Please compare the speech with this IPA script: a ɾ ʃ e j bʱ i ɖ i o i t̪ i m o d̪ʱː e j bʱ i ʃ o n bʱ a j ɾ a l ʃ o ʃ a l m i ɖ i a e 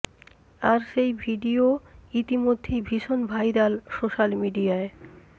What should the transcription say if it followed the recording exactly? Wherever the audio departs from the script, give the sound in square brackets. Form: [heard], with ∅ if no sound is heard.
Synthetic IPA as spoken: a ɾ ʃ e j bʱ i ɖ i o i t̪ i m o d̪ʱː e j bʱ i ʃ o n bʱ a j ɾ a l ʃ o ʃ a l m i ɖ i a e